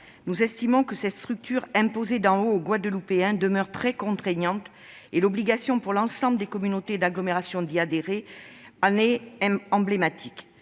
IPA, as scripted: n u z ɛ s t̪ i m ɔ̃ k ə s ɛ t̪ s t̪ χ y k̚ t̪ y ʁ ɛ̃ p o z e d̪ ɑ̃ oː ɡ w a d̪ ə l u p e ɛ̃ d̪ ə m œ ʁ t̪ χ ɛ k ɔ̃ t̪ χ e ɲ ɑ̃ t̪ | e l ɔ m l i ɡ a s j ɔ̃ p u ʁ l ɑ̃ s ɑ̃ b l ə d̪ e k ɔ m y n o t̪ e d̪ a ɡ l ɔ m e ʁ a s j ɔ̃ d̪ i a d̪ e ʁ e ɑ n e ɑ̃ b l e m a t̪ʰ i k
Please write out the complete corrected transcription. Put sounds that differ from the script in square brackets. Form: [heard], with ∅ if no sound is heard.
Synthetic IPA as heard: n u z ɛ s t̪ i m ɔ̃ k ə s ɛ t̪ s t̪ χ y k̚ t̪ y ʁ ɛ̃ p o z e d̪ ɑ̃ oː ɡ w a d̪ ə l u p e ɛ̃ d̪ ə m œ ʁ t̪ χ ɛ k ɔ̃ t̪ χ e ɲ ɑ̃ t̪ | e l ɔ [b] l i ɡ a s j ɔ̃ p u ʁ l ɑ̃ s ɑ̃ b l ə d̪ e k ɔ m y n o t̪ e d̪ a ɡ l ɔ m e ʁ a s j ɔ̃ d̪ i a d̪ e ʁ e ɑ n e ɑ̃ b l e m a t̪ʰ i k